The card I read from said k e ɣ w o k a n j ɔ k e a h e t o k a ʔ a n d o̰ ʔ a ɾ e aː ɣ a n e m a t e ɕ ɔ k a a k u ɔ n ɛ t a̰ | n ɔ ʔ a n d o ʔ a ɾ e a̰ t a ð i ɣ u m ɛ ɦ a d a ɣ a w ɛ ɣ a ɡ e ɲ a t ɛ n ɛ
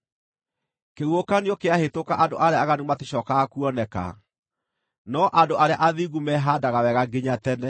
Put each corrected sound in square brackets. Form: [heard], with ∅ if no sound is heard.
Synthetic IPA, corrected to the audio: k e ɣ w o k a n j ɔ k e a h e t o k a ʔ a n d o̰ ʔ a ɾ e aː ɣ a n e m a t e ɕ ɔ k a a k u ɔ n ɛ [k] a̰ | n ɔ ʔ a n d o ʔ a ɾ e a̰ [ʔ] a ð i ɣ u m ɛ ɦ a d a ɣ a w ɛ ɣ a ɡ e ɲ a t ɛ n ɛ